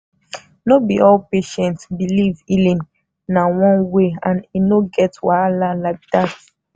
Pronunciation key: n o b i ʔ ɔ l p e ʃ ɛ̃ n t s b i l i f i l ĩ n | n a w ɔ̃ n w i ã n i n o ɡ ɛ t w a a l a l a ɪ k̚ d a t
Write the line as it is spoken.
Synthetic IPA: n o b i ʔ ɔ l p e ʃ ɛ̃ n t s b i l i v i l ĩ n | n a w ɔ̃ n w e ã n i n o ɡ ɛ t w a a l a l a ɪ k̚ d a t